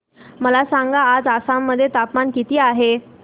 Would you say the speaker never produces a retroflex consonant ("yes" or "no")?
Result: yes